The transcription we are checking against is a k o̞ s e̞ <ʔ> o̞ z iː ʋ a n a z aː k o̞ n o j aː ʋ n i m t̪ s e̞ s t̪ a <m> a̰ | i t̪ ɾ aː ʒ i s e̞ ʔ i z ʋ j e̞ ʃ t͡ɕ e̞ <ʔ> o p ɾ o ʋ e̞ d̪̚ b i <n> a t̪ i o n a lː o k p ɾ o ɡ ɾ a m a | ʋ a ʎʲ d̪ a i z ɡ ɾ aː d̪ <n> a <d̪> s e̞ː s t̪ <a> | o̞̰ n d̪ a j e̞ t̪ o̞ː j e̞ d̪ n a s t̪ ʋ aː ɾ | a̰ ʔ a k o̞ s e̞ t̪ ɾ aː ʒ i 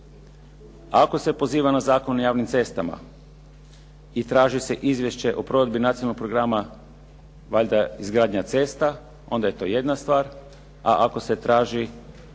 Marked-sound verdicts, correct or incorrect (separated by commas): incorrect, correct, correct, correct, incorrect, incorrect, correct